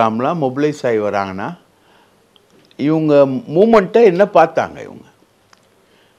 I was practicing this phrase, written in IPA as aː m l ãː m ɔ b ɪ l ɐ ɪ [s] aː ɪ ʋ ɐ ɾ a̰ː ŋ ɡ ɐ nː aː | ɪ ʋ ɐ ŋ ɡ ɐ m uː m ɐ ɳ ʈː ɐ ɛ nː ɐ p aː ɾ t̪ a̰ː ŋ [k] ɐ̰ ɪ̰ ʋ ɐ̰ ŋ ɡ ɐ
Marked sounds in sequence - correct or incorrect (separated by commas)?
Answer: correct, incorrect